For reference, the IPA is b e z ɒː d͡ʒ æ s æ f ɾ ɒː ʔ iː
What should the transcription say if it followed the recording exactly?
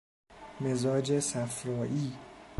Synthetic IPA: m e z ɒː d͡ʒ e s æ f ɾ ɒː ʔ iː